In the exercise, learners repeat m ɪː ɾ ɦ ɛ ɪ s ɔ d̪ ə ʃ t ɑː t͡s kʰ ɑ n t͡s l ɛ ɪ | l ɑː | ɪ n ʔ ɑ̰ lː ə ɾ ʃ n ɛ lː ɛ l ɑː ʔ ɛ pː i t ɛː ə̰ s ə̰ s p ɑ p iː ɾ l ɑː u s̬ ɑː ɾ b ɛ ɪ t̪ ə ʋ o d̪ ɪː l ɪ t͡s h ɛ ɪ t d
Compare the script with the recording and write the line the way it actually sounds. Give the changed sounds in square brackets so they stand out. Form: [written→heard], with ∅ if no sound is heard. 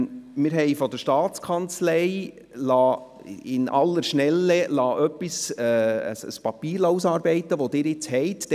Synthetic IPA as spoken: m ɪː ɾ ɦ ɛ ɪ [s→f] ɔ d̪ ə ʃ t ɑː t͡s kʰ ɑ n t͡s l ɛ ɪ | l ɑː | ɪ n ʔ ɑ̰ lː ə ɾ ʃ n ɛ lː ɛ l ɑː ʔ [ɛ→œ] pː i [t→s] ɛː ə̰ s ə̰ s p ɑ p iː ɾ l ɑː u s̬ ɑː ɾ b ɛ ɪ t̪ ə ʋ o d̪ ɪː [l→ɾ] ɪ t͡s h ɛ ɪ t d

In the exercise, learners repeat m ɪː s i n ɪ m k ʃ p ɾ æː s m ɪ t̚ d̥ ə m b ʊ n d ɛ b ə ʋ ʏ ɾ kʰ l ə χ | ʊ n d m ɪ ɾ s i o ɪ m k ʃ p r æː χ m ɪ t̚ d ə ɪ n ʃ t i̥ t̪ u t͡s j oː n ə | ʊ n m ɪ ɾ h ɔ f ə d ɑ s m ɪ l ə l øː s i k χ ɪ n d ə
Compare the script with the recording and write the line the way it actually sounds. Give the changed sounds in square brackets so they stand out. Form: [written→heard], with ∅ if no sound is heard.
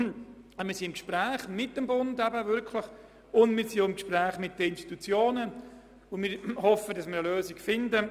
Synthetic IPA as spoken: m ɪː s i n ɪ m k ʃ p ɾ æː [s→χ] m ɪ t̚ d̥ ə m b ʊ n d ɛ b ə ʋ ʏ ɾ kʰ l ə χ | ʊ n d m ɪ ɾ s i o ɪ m k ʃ p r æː χ m ɪ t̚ d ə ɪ n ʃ t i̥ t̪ u t͡s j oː n ə | ʊ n m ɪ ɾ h ɔ f ə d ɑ s m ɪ [l→ɾ] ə l øː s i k [χ→f] ɪ n d ə

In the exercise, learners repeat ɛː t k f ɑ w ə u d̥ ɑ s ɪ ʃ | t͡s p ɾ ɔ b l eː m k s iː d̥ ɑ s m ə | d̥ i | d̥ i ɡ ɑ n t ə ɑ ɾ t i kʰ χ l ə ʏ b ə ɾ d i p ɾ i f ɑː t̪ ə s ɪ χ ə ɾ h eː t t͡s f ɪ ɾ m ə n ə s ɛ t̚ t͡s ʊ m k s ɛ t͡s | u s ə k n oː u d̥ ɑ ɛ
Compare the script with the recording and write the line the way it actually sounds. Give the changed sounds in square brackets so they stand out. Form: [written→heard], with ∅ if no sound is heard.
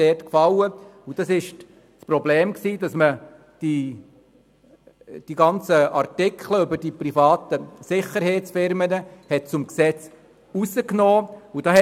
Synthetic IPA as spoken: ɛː t k f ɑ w ə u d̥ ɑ s ɪ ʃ | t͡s p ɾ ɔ b l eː m k s iː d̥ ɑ s m ə | d̥ i | d̥ i ɡ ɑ n [t→t͡s] ə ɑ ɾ t [i→ɪ] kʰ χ l ə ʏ b ə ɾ d i p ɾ i f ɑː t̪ ə s ɪ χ ə ɾ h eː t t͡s f ɪ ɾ m ə n ə [s→h] ɛ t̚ t͡s ʊ m k s ɛ t͡s | u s ə k n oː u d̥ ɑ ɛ

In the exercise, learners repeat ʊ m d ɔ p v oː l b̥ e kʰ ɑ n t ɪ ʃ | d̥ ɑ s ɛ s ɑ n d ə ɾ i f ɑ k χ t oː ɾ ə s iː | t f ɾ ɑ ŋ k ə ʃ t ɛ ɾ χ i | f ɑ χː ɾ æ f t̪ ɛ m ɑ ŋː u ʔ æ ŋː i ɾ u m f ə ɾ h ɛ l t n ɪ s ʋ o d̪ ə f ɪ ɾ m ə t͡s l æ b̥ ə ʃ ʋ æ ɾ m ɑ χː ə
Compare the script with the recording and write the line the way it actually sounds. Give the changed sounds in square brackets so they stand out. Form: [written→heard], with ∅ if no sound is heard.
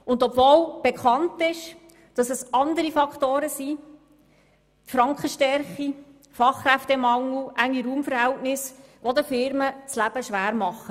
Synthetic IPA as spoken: ʊ [m→n] d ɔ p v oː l b̥ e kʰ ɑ n t ɪ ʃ | d̥ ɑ s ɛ s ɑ n d ə ɾ i f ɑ k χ t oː ɾ ə s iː | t f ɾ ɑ ŋ k ə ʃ t ɛ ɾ χ i | f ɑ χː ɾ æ f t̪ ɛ m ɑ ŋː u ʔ æ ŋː i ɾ [u→uː] m f ə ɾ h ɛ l t n ɪ s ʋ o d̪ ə f ɪ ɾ m ə t͡s l æ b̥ ə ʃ ʋ [æ→æː] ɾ m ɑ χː ə

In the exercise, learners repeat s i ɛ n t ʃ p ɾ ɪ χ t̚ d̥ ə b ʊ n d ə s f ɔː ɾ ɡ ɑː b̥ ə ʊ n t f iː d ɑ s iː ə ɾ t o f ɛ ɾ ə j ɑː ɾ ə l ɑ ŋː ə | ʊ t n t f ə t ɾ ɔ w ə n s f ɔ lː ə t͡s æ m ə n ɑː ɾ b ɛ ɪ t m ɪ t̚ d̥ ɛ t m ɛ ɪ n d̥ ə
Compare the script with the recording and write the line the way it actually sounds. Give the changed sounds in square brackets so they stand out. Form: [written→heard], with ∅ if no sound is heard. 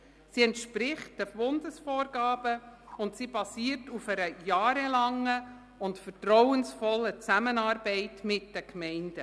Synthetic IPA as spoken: s i ɛ n t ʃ p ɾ ɪ χ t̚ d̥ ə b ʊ n d ə s f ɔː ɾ ɡ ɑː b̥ ə ʊ n t [f→s] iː [d→b] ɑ s iː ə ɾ t [o→u] f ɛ ɾ ə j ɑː ɾ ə l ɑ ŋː ə | ʊ [t→∅] n t f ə t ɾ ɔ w ə n s f ɔ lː ə t͡s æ m ə n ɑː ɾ b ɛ ɪ t m ɪ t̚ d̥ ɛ [t→k] m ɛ ɪ n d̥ ə

